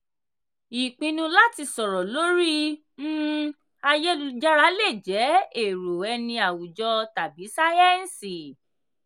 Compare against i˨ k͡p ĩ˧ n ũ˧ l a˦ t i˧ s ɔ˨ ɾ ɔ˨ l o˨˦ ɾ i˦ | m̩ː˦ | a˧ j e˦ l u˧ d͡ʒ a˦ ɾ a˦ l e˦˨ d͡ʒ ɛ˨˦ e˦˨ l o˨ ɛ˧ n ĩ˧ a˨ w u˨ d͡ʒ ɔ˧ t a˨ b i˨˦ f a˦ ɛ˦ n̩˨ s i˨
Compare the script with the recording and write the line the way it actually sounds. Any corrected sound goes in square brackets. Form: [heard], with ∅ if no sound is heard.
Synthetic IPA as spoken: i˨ k͡p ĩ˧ n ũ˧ l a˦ t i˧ s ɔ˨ ɾ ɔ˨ l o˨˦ ɾ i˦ | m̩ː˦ | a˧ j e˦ l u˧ d͡ʒ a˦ ɾ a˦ l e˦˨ d͡ʒ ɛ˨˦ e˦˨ [ɾ] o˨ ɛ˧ n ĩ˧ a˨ w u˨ d͡ʒ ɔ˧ t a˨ b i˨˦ [s] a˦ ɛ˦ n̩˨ s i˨